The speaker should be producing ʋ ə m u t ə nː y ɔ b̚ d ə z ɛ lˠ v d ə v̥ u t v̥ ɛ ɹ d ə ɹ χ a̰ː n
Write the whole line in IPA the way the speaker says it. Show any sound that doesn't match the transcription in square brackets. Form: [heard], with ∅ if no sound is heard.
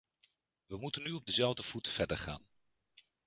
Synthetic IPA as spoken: ʋ ə m u t ə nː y ɔ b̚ d ə z ɛ lˠ v d ə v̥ u t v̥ ɛ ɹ d ə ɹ χ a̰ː n